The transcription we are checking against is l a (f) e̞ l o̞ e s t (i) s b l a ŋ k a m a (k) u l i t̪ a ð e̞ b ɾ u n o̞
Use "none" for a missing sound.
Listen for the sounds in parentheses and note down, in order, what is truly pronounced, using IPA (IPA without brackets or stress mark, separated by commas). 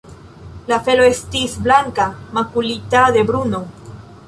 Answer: f, i, k